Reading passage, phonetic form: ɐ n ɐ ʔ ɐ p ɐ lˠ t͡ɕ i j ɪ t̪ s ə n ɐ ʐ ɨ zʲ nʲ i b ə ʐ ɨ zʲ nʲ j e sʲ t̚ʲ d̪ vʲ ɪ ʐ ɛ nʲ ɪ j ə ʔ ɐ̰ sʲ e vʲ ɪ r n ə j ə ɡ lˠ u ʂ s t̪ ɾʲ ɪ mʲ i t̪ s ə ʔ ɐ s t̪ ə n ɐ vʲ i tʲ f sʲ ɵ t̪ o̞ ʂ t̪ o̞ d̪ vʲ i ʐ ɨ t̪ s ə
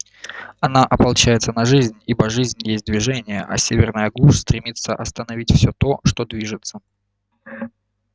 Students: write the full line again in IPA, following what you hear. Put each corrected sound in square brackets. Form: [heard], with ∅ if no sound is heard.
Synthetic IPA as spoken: ɐ n [a] ʔ ɐ p ɐ lˠ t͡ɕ [æ] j ɪ t̪ s ə n ɐ ʐ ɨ zʲ nʲ i b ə ʐ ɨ zʲ nʲ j e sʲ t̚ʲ d̪ vʲ ɪ ʐ ɛ nʲ ɪ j ə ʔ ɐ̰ sʲ e vʲ ɪ r n ə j ə ɡ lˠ u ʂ s t̪ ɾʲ ɪ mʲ i t̪ s ə ʔ ɐ s t̪ ə n ɐ vʲ i tʲ f sʲ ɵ t̪ o̞ ʂ t̪ o̞ d̪ vʲ i ʐ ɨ t̪ s ə

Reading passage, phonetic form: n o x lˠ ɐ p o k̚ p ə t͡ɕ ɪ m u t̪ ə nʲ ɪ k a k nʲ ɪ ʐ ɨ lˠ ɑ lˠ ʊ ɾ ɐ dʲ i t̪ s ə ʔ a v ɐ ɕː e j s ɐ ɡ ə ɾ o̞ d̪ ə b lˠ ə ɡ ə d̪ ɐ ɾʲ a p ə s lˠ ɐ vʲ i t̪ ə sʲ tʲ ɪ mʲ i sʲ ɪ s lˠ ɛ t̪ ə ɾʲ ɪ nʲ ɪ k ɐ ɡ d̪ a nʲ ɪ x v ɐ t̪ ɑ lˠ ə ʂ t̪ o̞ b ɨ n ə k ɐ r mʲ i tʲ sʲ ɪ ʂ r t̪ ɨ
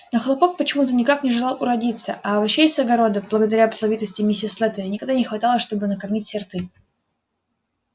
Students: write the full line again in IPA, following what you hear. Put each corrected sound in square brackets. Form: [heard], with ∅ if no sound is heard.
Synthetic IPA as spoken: n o x lˠ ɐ p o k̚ p ə t͡ɕ ɪ m u t̪ ə nʲ ɪ k a k nʲ ɪ ʐ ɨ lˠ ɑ lˠ ʊ ɾ ɐ dʲ i t̪ s ə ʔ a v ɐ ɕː e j s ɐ ɡ [ɐ] ɾ o̞ d̪ ə b lˠ ə ɡ ə d̪ ɐ ɾʲ a p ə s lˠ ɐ vʲ i t̪ ə sʲ tʲ ɪ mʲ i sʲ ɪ s lˠ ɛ t̪ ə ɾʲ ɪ nʲ ɪ k ɐ ɡ d̪ a nʲ ɪ x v ɐ t̪ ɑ lˠ ə ʂ t̪ o̞ b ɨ n ə k ɐ r mʲ i tʲ sʲ ɪ [∅] r t̪ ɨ

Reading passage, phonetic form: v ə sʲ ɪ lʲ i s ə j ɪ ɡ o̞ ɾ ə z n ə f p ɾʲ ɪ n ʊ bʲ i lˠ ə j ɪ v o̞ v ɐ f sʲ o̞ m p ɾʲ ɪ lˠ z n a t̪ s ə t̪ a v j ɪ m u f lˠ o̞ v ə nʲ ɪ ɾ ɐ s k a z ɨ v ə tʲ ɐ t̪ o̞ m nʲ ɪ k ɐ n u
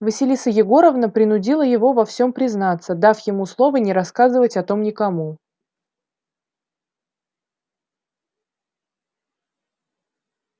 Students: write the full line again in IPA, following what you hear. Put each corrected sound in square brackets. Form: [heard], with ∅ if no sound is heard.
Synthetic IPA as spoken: v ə sʲ ɪ lʲ i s ə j ɪ ɡ o̞ ɾ ə [v] n ə [∅] p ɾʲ ɪ n ʊ [dʲ] i lˠ ə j ɪ v o̞ v ɐ f sʲ o̞ m p ɾʲ ɪ [∅] z n a t̪ s ə [d̪] a [f] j ɪ m u [s] lˠ o̞ v ə nʲ ɪ ɾ ɐ s k a z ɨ v ə tʲ ɐ t̪ o̞ m nʲ ɪ k ɐ [m] u

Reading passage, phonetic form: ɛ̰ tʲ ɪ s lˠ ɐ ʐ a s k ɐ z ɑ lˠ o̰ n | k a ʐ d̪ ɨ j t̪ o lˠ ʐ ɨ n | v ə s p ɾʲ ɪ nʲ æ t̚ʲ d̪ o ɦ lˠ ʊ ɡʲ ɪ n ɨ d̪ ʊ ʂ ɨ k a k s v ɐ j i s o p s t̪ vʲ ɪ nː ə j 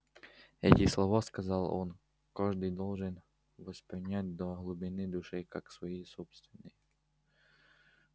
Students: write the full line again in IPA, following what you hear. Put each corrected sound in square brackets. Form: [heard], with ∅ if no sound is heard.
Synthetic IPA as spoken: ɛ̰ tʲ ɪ s lˠ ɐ [v] a s k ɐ z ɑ lˠ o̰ n | k a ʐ d̪ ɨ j [d̪] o lˠ ʐ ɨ n | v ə s p ɾʲ ɪ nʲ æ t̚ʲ d̪ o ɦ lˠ ʊ [bʲ] ɪ n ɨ d̪ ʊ ʂ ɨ k a k s v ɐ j i s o p s t̪ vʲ ɪ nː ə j

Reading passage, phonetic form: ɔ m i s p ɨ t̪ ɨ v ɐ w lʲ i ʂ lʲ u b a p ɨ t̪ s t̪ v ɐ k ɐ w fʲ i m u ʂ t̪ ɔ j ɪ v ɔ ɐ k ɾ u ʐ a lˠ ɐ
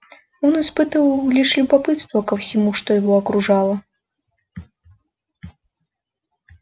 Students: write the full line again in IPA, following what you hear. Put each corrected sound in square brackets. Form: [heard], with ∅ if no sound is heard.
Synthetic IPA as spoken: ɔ [n] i s p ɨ t̪ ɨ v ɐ w lʲ i ʂ lʲ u b a p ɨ t̪ s t̪ v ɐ k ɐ w [sʲ] i m u ʂ t̪ ɔ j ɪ v ɔ ɐ k ɾ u ʐ a lˠ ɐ

